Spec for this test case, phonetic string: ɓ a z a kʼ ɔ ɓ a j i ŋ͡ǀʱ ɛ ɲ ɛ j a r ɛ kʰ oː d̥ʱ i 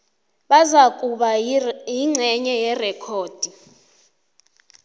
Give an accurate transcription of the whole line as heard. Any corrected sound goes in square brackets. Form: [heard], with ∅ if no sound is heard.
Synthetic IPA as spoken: ɓ a z a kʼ [u] ɓ a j i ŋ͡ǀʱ ɛ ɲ ɛ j [ɛ] r ɛ kʰ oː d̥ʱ i

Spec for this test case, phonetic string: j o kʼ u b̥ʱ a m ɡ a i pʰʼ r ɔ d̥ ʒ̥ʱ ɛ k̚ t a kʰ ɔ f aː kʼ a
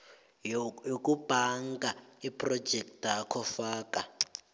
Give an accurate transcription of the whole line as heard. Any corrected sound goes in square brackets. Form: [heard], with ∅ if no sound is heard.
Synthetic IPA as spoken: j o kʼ u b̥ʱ a [ŋ] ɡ a i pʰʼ r ɔ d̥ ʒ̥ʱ ɛ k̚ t a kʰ ɔ f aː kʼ a

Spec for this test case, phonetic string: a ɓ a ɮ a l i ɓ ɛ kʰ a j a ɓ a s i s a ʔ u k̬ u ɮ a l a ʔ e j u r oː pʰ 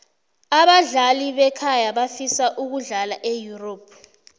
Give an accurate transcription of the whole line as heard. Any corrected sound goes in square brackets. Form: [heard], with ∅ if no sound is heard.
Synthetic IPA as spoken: a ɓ a ɮ a l i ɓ ɛ kʰ a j a ɓ a [f] i s a ʔ u k̬ u ɮ a l a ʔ e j u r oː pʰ

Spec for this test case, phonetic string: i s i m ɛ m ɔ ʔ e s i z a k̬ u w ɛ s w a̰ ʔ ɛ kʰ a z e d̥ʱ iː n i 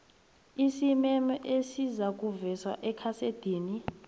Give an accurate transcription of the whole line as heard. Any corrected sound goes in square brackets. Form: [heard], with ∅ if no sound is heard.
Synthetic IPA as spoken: i s i m ɛ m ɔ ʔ e s i z a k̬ u [v] ɛ s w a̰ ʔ ɛ kʰ a [s] e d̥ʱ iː n i

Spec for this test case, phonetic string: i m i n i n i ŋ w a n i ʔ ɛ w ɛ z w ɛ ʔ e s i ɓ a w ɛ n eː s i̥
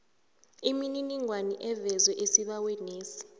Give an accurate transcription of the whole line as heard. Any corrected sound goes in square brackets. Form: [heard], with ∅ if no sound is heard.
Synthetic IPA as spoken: i m i n i n i ŋ w a n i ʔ ɛ [v] ɛ z w ɛ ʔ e s i ɓ a w ɛ n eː s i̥

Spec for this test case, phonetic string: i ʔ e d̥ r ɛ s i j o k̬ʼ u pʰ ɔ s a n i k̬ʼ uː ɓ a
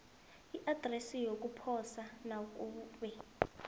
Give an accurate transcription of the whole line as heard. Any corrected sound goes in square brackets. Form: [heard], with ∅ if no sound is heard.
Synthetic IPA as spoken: i ʔ [a] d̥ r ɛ s i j o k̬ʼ u pʰ ɔ s a n [a] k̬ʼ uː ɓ [ɛ]

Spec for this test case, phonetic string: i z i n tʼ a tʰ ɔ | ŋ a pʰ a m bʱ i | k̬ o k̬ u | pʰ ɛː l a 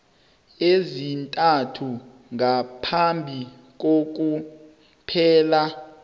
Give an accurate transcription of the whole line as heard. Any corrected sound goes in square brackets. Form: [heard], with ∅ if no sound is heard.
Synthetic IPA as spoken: [e] z i n tʼ a tʰ [u] | ŋ a pʰ a m bʱ i | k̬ o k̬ u | pʰ ɛː l a

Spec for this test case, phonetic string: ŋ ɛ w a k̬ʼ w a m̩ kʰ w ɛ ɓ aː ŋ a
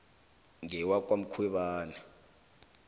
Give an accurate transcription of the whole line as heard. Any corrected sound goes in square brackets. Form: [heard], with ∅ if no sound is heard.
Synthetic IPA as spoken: ŋ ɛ w a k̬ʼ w a m̩ kʰ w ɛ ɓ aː [n] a

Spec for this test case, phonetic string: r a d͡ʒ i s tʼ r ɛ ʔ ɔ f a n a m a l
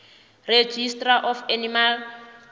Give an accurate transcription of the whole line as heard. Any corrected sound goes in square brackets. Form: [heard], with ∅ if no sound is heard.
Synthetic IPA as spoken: r [e] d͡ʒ i s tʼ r [a] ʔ ɔ f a n [i] m a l

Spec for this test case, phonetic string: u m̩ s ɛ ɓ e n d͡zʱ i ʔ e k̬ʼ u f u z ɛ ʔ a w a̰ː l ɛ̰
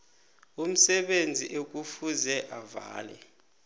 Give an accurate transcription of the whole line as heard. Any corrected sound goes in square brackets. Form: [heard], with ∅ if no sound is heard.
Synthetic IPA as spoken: u m̩ s ɛ ɓ e n d͡zʱ i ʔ e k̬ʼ u f u z ɛ ʔ a [v] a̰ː l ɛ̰

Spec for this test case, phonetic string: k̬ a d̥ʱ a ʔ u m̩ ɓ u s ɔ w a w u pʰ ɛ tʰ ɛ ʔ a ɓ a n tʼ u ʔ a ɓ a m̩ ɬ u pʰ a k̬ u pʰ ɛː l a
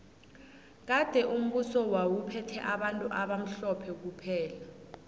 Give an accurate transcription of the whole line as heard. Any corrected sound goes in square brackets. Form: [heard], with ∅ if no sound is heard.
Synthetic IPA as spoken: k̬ a d̥ʱ [ɛ] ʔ u m̩ ɓ u s ɔ w a w u pʰ ɛ tʰ ɛ ʔ a ɓ a n tʼ u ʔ a ɓ a m̩ ɬ [ɔ] pʰ [ɛ] k̬ u pʰ ɛː l a

